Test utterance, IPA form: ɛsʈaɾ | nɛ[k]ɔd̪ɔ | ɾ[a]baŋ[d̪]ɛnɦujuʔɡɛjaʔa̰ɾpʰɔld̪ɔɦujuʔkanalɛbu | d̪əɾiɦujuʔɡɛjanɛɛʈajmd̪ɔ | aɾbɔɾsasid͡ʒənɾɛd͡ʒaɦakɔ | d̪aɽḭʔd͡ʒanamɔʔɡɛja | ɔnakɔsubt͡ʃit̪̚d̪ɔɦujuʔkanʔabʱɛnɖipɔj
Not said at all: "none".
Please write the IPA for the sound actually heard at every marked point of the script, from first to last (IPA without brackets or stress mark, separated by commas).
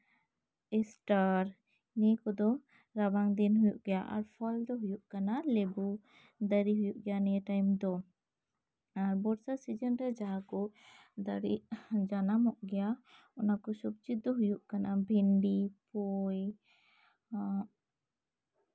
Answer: k, a, d̪